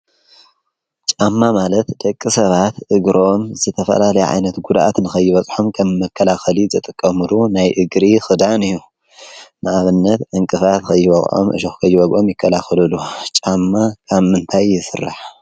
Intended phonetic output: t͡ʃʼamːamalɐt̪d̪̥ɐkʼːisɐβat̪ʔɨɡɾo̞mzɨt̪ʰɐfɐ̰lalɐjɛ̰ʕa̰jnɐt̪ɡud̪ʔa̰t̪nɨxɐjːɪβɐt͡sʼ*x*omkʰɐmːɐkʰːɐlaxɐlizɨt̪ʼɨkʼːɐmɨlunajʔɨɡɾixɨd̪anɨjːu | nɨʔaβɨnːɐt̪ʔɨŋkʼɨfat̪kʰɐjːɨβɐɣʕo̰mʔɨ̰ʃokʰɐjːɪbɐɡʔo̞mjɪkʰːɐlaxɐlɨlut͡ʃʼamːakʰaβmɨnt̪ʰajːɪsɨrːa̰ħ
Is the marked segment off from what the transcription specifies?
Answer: yes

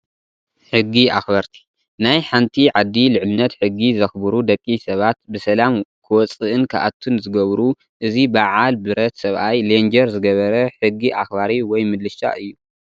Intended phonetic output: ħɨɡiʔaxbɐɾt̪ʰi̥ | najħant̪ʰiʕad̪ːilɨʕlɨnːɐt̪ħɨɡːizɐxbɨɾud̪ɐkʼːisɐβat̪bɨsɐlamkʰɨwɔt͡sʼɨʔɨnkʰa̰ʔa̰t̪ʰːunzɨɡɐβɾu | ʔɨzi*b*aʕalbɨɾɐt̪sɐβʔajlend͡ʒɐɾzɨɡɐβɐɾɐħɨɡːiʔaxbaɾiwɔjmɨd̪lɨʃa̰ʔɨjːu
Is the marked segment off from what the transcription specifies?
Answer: no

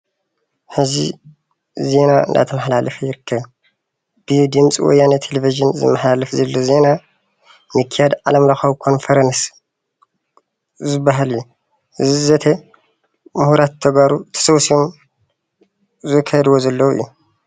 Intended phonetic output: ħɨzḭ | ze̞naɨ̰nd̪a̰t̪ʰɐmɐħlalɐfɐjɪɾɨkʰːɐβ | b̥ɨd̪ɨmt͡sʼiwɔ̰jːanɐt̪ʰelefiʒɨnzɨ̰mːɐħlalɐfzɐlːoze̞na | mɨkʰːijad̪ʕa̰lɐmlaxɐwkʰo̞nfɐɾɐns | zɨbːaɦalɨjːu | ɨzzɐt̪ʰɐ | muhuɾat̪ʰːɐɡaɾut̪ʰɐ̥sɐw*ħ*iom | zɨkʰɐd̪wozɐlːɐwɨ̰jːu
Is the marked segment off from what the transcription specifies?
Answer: yes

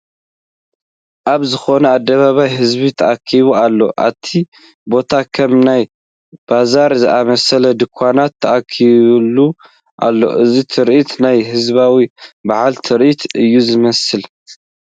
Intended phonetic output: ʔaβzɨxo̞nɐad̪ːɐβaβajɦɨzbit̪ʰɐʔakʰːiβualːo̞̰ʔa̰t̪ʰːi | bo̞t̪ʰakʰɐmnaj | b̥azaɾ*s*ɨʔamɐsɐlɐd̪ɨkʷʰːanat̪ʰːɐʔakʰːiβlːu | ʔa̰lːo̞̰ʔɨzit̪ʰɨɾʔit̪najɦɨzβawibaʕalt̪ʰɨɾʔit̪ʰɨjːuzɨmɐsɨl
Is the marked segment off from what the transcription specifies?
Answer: yes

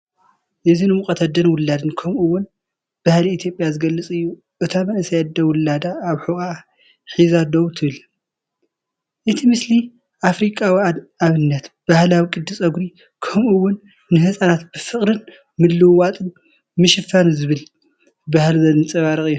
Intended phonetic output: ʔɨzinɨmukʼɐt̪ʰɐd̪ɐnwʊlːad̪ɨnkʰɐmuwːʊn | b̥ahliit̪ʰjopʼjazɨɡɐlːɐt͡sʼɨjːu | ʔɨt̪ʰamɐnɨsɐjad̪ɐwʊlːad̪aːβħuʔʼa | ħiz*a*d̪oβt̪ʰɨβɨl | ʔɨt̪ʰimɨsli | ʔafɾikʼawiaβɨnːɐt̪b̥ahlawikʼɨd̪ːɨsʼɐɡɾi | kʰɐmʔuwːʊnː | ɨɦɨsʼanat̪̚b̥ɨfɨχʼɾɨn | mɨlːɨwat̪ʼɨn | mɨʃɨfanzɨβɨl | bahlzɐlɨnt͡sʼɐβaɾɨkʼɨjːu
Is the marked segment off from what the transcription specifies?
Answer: no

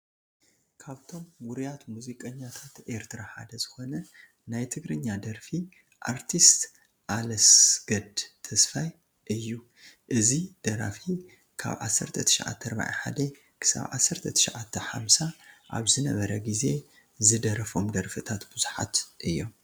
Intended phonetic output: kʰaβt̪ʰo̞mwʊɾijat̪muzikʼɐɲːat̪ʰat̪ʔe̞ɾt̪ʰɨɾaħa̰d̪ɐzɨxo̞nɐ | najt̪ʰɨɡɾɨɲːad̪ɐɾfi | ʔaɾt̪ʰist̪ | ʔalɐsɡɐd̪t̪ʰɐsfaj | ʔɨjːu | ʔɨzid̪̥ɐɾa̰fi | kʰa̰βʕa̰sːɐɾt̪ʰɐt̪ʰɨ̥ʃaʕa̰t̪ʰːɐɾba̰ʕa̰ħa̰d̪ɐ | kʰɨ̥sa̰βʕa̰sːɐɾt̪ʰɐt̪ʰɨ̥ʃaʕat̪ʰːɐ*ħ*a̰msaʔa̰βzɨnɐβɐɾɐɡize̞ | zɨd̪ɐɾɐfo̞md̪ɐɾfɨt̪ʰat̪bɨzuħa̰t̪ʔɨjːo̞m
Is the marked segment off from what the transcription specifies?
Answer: no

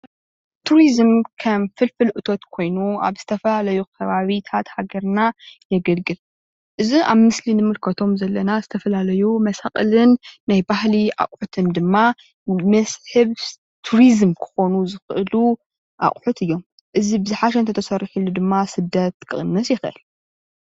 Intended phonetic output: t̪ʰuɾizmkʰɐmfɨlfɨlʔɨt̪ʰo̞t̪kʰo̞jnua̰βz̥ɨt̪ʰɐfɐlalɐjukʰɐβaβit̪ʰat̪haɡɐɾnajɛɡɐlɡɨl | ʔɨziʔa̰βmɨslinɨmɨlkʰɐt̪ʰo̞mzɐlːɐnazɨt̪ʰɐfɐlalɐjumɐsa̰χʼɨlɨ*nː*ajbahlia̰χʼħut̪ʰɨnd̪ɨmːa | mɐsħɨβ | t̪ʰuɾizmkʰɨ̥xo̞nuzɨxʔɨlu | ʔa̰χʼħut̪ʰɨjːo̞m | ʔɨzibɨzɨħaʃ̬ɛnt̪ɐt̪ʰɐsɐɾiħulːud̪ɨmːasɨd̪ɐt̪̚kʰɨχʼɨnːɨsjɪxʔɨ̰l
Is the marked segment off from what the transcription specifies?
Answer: no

